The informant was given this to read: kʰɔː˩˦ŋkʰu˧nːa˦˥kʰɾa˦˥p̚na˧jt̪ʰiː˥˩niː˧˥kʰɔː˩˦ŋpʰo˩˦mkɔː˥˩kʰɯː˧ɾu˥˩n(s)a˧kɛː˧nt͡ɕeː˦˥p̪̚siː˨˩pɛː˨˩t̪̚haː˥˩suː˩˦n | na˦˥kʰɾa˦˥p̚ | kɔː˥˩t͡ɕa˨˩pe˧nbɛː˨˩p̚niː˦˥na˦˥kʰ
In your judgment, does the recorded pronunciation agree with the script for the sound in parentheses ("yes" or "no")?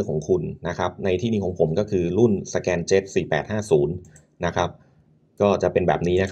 yes